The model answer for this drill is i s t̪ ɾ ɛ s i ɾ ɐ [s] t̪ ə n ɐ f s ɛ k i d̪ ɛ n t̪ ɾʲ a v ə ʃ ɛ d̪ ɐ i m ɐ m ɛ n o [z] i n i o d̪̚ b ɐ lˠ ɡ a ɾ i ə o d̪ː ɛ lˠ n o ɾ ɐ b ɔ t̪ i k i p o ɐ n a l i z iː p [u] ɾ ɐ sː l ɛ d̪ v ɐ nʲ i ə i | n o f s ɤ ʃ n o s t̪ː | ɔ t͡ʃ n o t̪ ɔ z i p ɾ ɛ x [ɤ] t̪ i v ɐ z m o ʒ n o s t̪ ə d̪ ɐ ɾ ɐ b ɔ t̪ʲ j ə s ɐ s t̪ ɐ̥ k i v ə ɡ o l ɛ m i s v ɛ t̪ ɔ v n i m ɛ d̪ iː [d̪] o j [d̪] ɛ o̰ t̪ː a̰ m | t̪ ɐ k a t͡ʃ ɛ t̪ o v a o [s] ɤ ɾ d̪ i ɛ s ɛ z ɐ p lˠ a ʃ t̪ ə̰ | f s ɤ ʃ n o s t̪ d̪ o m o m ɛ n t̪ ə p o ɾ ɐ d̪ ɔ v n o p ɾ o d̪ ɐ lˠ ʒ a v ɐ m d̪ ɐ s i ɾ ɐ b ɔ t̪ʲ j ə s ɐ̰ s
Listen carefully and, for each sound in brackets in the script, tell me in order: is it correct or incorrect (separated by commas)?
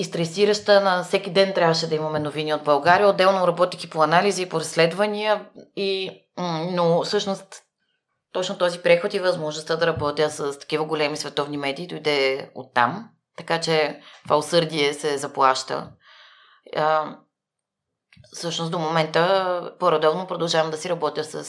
incorrect, incorrect, incorrect, incorrect, correct, correct, correct